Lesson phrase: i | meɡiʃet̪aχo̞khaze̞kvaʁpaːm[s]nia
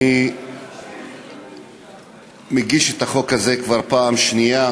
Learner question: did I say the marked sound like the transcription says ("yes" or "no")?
no